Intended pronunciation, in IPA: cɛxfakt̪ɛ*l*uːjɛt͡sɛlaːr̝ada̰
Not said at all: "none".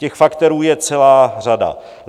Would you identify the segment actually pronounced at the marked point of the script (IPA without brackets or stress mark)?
ɾ